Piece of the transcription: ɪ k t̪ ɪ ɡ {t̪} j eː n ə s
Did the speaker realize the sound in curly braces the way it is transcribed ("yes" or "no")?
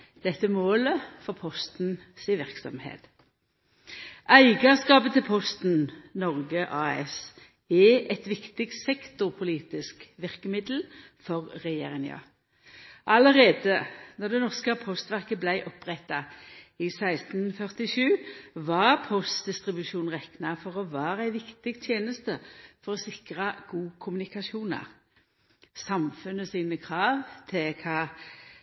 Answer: no